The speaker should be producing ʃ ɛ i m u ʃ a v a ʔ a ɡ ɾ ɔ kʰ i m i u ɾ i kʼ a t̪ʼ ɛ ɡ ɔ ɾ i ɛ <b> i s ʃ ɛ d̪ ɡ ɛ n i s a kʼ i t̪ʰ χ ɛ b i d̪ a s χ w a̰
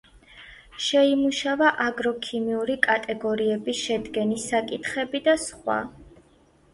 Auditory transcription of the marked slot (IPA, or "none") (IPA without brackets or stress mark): b